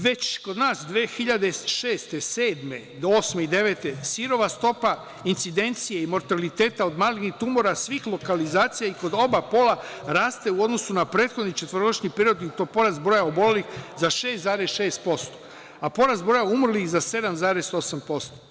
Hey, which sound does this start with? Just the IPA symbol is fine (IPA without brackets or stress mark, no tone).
ʋ